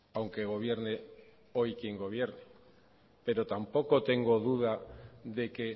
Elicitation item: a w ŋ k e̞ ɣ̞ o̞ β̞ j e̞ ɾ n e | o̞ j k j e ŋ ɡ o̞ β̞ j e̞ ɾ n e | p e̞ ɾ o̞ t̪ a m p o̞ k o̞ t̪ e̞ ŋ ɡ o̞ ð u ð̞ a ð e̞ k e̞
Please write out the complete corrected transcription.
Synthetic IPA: a w ŋ k e̞ ɣ̞ o̞ β̞ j e̞ ɾ n e | o̞ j k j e ŋ ɡ o̞ β̞ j e̞ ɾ n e | p e̞ ɾ o̞ t̪ a m p o̞ k o̞ t̪ e̞ ŋ ɡ o̞ ð u ð̞ a ð e̞ k e̞